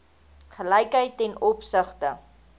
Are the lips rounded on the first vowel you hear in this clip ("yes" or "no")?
no